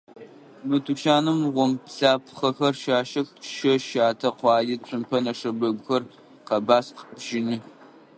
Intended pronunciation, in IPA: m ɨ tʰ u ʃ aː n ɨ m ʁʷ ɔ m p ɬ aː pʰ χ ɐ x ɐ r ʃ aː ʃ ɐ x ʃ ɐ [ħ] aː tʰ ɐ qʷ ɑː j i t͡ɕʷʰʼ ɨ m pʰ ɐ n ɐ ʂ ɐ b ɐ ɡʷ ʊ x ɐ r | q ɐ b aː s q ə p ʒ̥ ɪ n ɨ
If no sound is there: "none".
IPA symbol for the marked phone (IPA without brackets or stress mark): ʃ